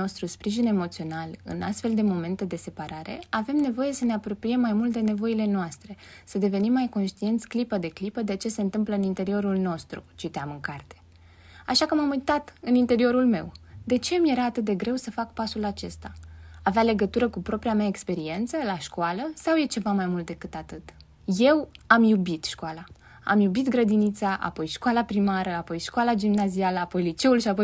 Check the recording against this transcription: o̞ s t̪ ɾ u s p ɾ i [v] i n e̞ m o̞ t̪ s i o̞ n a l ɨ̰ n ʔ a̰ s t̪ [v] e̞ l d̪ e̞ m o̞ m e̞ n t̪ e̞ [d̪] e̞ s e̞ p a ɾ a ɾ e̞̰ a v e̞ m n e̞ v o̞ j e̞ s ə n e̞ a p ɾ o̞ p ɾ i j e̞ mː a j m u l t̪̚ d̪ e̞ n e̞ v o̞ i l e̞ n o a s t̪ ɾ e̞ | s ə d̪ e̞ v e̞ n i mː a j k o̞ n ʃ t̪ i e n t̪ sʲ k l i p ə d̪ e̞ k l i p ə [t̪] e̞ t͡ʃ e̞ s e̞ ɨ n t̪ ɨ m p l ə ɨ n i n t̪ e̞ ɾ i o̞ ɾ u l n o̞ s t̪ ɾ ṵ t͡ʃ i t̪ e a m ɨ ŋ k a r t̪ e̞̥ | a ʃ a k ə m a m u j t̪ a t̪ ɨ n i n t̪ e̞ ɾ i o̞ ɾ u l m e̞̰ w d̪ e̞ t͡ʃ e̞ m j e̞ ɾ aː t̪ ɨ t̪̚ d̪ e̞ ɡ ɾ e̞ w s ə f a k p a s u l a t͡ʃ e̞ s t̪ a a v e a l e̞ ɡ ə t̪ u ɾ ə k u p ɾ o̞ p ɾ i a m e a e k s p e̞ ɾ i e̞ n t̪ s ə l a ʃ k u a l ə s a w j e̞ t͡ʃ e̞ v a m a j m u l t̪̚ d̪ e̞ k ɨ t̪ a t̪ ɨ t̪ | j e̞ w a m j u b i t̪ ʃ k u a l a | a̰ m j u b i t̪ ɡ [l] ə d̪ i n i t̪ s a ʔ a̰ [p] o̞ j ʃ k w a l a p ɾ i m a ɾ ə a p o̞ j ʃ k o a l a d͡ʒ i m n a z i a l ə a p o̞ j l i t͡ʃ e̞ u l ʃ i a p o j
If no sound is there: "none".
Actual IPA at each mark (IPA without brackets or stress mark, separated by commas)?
ʒ, f, d̪, d̪, ɾ, p